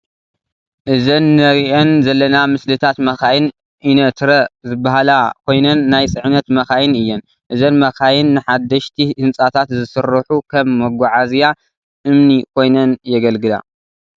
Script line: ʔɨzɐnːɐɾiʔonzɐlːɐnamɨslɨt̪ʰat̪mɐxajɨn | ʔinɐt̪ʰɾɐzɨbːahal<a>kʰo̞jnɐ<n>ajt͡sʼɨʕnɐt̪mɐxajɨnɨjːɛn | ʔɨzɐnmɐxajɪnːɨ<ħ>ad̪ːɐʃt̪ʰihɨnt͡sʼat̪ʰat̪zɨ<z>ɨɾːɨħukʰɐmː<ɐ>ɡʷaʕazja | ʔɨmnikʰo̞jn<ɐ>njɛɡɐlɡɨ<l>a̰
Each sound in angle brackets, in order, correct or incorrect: correct, incorrect: nː, correct, incorrect: s, correct, correct, correct

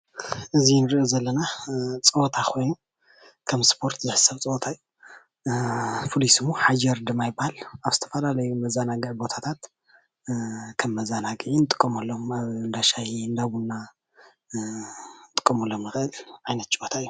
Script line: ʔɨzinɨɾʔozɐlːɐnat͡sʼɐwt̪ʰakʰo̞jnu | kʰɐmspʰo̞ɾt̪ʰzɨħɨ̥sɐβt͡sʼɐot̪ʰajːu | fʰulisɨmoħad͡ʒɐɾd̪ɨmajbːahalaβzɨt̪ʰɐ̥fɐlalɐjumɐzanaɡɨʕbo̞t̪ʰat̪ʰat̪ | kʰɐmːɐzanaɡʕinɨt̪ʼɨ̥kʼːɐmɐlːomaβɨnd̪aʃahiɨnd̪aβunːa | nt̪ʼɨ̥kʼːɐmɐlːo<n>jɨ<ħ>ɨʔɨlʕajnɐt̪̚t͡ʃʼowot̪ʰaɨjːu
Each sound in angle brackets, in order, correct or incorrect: incorrect: m, incorrect: x

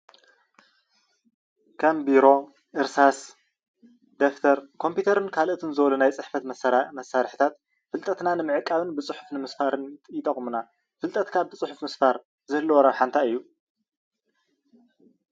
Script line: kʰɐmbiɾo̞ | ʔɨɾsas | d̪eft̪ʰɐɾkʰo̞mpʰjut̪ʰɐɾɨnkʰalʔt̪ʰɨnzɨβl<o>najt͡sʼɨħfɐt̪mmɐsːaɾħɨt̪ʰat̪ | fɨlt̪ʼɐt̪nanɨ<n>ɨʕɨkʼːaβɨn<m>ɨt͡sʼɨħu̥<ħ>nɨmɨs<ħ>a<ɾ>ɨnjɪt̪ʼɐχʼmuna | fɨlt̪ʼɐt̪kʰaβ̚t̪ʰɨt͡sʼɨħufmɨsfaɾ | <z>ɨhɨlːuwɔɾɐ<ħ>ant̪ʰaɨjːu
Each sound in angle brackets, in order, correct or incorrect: incorrect: u, incorrect: m, incorrect: b, incorrect: f, incorrect: f, correct, correct, correct

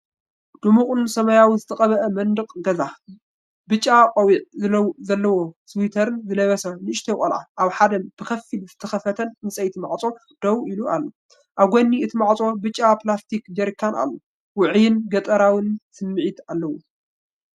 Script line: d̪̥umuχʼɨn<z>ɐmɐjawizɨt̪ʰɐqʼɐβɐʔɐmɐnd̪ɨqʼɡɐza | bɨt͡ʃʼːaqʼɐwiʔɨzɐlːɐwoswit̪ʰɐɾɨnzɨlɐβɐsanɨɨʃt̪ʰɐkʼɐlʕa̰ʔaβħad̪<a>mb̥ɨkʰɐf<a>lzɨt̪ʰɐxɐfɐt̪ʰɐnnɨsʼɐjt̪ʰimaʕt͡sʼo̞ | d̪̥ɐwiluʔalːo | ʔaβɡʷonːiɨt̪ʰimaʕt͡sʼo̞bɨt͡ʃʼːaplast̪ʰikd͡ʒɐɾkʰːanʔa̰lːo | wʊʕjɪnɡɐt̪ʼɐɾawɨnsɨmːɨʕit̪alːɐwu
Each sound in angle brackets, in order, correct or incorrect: incorrect: s, incorrect: ɐ, incorrect: i

